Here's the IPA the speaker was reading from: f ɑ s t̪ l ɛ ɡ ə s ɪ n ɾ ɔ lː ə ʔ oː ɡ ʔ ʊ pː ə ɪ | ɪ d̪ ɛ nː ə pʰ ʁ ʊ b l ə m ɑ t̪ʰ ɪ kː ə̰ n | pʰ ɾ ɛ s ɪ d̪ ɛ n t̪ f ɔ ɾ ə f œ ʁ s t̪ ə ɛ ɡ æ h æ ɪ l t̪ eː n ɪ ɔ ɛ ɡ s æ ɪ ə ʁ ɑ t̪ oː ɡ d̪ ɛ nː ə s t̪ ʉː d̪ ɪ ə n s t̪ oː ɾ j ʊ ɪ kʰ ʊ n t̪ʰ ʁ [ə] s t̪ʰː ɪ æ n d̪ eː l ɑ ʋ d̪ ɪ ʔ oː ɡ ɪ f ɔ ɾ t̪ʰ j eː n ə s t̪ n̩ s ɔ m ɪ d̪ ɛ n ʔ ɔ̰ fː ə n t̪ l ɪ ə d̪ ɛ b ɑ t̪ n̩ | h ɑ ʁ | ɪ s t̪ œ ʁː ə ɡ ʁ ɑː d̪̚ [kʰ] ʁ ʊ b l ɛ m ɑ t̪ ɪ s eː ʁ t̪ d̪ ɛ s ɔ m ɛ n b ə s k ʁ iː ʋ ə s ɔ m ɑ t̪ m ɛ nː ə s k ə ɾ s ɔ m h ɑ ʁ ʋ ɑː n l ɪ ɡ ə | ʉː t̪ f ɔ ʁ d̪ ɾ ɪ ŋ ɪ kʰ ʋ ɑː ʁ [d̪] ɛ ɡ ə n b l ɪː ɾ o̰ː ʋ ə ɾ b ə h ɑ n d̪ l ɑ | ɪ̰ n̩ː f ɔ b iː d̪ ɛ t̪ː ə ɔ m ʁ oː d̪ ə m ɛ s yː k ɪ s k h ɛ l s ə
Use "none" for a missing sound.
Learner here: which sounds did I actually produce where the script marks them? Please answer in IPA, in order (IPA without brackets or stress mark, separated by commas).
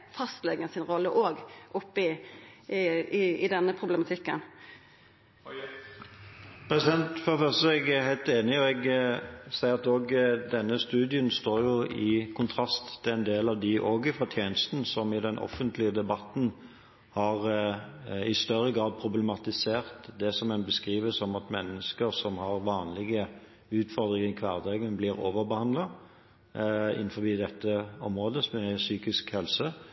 ɑ, pʰ, d̪